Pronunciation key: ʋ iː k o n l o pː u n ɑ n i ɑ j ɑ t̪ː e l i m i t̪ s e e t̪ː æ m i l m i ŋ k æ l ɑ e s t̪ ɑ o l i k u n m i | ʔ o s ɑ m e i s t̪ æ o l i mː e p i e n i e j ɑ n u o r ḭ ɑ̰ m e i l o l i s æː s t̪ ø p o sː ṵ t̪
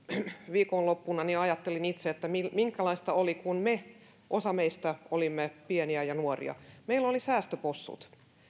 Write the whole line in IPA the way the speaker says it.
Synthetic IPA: ʋ iː k o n l o pː u n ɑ n i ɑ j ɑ t̪ː e l i n i t̪ s e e t̪ː æ m i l m i ŋ k æ l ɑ i s t̪ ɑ o l i k u n m e | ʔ o s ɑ m e i s t̪ æ o l i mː e p i e n i æ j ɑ n u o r ḭ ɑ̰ m e i l o l i s æː s t̪ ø p o sː ṵ t̪